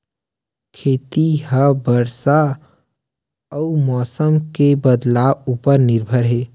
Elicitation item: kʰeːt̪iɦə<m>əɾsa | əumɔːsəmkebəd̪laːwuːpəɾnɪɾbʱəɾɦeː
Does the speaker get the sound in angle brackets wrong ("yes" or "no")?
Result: yes